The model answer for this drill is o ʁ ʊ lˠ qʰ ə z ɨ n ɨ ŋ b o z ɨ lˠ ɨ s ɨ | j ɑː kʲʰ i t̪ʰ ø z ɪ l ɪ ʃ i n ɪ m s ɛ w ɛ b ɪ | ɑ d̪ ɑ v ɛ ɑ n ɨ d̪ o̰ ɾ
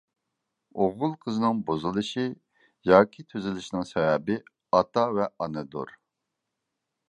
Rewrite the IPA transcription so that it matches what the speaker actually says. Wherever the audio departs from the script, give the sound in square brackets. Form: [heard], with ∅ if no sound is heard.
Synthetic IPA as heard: o ʁ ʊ lˠ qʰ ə z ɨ n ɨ ŋ b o z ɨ lˠ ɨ [ʃ] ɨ | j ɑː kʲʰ i t̪ʰ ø z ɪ l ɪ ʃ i n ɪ [ŋ] s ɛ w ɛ b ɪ | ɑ [t̪] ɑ v ɛ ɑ n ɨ d̪ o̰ ɾ